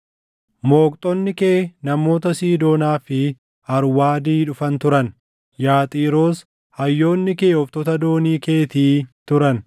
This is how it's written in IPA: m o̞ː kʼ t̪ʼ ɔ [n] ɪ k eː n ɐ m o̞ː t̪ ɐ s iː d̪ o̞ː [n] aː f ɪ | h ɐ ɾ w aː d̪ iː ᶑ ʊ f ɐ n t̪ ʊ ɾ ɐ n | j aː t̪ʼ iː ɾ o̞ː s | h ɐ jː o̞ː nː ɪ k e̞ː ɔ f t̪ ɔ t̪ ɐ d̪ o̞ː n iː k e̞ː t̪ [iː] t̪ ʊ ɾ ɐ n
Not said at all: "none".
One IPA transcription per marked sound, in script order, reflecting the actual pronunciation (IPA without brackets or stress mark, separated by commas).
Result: nː, n, iː